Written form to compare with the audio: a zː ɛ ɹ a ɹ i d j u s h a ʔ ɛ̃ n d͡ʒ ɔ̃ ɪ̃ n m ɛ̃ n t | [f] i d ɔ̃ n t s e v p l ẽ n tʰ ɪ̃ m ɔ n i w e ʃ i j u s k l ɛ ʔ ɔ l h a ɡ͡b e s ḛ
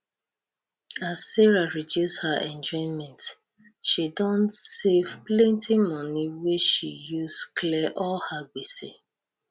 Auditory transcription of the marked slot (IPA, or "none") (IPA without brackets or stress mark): ʃ